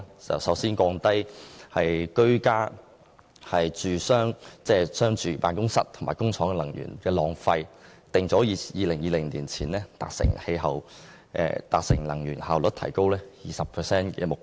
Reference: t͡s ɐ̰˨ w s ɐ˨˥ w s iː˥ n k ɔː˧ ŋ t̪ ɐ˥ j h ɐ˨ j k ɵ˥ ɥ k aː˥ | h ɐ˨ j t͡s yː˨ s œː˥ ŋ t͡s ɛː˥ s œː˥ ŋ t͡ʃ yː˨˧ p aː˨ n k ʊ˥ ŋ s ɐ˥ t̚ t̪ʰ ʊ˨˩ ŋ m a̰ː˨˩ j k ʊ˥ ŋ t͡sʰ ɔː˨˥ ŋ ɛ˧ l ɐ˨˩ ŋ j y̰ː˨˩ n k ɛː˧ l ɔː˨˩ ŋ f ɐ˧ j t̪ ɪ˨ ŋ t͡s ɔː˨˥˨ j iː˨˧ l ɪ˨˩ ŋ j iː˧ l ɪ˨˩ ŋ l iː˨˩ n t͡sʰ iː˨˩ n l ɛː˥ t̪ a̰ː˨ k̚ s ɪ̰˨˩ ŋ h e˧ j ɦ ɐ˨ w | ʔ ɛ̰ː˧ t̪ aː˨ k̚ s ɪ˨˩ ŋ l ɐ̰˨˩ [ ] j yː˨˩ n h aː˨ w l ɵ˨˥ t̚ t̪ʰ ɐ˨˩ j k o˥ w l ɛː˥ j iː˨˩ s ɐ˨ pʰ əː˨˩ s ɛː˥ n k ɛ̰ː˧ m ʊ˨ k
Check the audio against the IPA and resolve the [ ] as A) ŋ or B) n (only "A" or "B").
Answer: A